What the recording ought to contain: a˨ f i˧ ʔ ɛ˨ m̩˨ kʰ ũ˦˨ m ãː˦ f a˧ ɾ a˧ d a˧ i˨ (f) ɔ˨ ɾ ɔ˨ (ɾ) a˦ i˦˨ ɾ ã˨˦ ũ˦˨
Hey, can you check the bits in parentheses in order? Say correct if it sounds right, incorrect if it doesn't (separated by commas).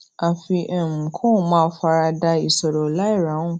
incorrect, incorrect